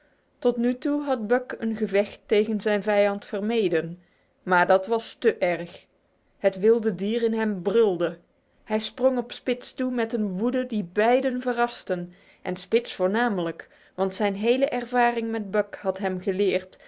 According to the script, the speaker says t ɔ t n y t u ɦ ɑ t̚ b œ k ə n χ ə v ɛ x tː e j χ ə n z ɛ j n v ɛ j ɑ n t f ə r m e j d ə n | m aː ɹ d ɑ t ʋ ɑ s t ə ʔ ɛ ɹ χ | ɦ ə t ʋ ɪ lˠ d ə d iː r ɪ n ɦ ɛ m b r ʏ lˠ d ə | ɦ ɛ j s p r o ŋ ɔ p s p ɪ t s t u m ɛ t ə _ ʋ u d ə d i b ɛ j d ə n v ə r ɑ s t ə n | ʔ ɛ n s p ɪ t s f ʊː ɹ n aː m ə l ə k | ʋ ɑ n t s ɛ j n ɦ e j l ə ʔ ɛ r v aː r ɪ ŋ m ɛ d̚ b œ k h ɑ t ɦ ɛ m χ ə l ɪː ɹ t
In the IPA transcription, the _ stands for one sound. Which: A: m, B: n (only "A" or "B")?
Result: B